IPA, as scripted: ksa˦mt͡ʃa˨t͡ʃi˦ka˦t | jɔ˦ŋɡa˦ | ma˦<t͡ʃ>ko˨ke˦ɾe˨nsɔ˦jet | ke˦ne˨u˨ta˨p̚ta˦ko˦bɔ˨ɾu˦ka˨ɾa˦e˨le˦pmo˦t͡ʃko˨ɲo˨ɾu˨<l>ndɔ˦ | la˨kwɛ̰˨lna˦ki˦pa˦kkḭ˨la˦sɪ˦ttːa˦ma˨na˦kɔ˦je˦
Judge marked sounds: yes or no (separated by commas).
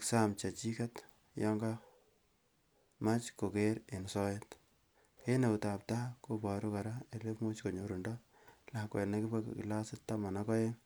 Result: yes, no